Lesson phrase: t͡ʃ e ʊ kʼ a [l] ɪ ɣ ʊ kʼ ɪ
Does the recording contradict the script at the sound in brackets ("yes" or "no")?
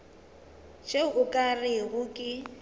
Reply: yes